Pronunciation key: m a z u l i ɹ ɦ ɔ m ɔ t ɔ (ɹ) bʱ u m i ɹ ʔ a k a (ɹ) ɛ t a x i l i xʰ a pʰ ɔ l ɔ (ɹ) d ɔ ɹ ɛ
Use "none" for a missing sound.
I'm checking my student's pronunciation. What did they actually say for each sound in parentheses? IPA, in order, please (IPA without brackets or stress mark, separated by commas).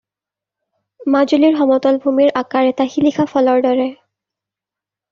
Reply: l, ɹ, ɹ